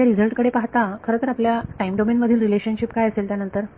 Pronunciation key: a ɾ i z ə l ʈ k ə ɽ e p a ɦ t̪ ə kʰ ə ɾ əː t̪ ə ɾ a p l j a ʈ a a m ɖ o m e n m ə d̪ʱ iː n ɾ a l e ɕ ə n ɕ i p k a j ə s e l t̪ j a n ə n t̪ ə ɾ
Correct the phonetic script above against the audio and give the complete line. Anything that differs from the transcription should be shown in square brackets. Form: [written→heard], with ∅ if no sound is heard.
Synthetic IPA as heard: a ɾ i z ə l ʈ k ə ɽ e p a ɦ t̪ [ə→a] kʰ ə ɾ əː t̪ ə ɾ a p l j a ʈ a [a→i] m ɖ o m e n m ə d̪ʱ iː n ɾ [a→i] l e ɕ ə n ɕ i p k a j ə s e l t̪ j a n ə n t̪ ə ɾ